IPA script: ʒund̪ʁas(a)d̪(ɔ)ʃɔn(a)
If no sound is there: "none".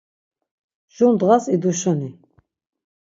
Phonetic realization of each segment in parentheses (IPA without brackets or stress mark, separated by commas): i, u, i